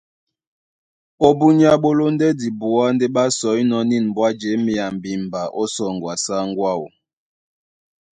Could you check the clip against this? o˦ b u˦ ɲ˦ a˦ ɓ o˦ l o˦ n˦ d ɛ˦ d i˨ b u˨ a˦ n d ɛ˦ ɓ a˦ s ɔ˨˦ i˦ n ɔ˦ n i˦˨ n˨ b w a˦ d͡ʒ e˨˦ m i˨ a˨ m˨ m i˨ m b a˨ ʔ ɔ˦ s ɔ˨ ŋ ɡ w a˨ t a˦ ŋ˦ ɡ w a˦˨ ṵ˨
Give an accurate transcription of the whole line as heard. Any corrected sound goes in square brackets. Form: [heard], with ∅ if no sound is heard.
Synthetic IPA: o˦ b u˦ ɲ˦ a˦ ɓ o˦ l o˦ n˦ d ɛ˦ d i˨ b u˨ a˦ n d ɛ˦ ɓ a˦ s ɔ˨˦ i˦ n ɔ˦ n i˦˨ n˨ b w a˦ d͡ʒ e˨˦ m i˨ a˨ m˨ [b] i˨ m b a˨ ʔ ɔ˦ s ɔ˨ ŋ ɡ w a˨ [s] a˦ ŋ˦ ɡ w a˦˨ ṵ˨